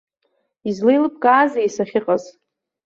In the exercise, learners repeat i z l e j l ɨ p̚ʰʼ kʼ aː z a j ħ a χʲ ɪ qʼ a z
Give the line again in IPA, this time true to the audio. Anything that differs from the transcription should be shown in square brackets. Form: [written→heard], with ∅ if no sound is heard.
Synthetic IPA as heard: i z l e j l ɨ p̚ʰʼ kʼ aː z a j [ħ→s] a χʲ ɪ qʼ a z